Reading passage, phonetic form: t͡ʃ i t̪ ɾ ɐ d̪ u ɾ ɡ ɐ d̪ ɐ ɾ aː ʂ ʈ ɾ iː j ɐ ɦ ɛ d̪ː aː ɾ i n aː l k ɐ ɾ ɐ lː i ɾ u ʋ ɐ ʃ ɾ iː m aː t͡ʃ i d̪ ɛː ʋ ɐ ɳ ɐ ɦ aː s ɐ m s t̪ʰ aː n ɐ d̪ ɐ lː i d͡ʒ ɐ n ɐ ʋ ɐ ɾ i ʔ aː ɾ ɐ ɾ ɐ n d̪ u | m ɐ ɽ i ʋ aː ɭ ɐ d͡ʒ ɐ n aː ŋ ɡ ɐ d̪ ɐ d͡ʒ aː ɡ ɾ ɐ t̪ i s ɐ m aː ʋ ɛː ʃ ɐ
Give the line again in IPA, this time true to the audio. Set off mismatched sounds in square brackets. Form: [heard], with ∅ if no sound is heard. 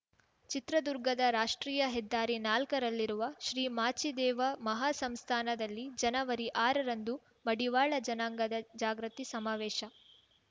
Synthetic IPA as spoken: t͡ʃ i t̪ ɾ ɐ d̪ u ɾ ɡ ɐ d̪ ɐ ɾ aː ʂ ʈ ɾ iː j ɐ ɦ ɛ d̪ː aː ɾ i n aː l k ɐ ɾ ɐ lː i ɾ u ʋ ɐ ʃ ɾ iː m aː t͡ʃ i d̪ ɛː ʋ ɐ [m] ɐ ɦ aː s ɐ m s t̪ʰ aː n ɐ d̪ ɐ lː i d͡ʒ ɐ n ɐ ʋ ɐ ɾ i ʔ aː ɾ ɐ ɾ ɐ n d̪ u | m ɐ ɽ i ʋ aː ɭ ɐ d͡ʒ ɐ n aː ŋ ɡ ɐ d̪ ɐ d͡ʒ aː ɡ ɾ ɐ t̪ i s ɐ m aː ʋ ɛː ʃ ɐ